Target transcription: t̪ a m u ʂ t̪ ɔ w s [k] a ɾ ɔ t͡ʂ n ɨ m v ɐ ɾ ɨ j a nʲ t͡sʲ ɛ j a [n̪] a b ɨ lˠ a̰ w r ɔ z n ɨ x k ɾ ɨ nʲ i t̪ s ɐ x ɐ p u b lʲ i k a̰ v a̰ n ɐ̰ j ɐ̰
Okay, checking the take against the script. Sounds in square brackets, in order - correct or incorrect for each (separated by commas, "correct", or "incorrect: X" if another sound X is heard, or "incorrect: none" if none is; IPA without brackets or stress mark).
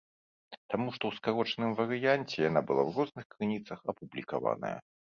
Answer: correct, correct